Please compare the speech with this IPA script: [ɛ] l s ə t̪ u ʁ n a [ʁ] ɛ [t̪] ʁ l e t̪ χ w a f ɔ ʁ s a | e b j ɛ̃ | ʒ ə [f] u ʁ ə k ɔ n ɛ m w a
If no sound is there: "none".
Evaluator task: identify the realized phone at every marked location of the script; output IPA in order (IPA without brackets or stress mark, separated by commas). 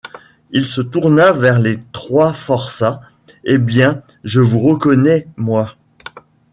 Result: i, v, none, v